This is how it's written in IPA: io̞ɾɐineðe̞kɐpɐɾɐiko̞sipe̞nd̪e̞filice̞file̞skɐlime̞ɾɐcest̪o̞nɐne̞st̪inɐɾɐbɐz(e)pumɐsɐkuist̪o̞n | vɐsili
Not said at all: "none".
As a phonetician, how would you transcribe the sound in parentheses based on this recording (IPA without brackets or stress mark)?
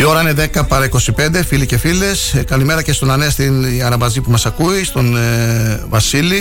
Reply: i